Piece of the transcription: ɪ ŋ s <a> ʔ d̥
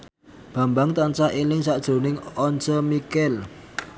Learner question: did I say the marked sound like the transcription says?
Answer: yes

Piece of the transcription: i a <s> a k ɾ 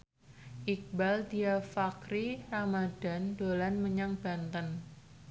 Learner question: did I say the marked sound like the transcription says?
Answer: no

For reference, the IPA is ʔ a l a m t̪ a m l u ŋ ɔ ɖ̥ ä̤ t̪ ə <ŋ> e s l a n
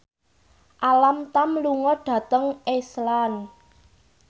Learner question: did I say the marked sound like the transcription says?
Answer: yes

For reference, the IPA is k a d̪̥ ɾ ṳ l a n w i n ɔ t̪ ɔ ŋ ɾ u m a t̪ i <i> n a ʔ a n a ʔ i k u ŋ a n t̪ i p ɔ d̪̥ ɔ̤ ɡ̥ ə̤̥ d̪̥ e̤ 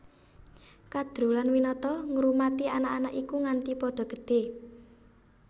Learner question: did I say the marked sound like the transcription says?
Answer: no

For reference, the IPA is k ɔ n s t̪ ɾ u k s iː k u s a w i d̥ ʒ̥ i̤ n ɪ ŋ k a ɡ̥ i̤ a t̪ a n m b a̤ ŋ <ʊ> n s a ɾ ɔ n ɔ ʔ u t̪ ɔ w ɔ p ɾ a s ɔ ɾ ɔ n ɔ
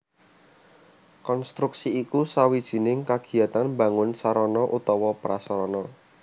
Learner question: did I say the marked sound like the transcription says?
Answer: yes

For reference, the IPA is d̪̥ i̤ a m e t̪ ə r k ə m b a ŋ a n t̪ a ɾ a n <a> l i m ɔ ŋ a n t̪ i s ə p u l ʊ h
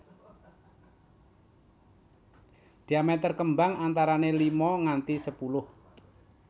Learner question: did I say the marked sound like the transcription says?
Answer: no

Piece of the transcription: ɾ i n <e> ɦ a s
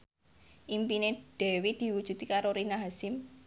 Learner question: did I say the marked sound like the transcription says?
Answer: no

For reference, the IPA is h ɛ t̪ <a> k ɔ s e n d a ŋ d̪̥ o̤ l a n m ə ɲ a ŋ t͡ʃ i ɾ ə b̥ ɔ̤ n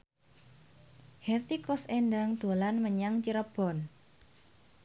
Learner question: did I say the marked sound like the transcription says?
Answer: no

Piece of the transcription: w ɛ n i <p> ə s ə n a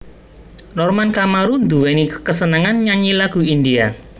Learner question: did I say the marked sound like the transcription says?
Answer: no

